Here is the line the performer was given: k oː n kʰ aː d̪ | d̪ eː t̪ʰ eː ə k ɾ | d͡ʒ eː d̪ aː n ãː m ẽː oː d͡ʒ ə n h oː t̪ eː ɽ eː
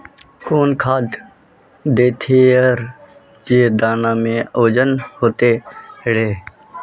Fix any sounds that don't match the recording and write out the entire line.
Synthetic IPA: k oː n kʰ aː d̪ | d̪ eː t̪ʰ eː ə ɾ | d͡ʒ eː d̪ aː n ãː m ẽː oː d͡ʒ ə n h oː t̪ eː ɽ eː